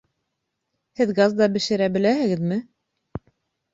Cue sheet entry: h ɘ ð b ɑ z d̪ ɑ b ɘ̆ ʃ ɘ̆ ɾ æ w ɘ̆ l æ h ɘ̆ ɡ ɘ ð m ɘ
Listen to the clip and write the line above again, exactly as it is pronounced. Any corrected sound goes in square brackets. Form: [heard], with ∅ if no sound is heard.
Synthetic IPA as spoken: h ɘ ð [ɡ] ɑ z d̪ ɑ b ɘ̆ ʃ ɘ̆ ɾ æ [b] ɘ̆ l æ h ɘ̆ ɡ ɘ ð m ɘ